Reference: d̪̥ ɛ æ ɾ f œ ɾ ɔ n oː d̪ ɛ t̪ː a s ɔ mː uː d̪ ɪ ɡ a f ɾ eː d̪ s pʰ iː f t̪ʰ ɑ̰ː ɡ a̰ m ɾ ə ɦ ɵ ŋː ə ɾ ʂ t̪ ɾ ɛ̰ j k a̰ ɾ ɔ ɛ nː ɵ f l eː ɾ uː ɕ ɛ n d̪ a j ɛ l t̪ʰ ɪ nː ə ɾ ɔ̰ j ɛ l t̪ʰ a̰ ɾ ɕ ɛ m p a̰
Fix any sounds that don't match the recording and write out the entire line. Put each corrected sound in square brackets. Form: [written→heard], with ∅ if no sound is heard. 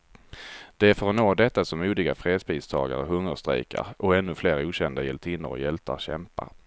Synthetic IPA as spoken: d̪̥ ɛ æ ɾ f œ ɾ ɔ n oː d̪ ɛ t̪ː a s ɔ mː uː d̪ ɪ ɡ a f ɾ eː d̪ s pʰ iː [f→s] t̪ʰ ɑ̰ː ɡ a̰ [m→∅] ɾ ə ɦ ɵ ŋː ə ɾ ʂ t̪ ɾ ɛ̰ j k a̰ ɾ ɔ ɛ nː ɵ f l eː ɾ uː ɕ ɛ n d̪ a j ɛ l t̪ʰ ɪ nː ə ɾ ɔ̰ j ɛ l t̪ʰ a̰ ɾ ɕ ɛ m p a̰